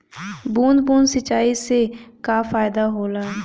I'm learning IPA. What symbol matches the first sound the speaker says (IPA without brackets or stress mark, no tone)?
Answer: b